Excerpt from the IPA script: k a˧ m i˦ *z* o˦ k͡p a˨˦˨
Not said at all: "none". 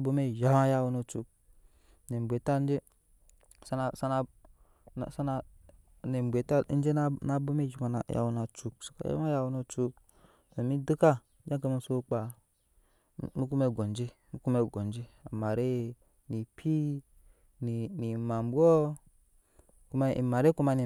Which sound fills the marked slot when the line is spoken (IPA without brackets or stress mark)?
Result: s